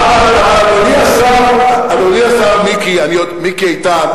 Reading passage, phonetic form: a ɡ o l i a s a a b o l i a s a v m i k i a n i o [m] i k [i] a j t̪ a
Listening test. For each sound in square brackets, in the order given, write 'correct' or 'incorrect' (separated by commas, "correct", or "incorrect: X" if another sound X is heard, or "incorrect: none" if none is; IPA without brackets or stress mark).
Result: correct, correct